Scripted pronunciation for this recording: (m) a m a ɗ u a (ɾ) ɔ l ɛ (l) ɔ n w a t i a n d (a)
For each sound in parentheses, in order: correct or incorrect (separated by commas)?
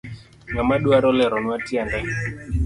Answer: incorrect, correct, incorrect, incorrect